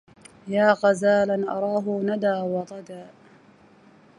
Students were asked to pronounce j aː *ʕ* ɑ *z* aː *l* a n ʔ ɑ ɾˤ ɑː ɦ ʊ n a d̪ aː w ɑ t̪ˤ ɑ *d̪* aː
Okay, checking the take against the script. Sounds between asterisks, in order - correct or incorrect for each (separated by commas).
incorrect, correct, correct, correct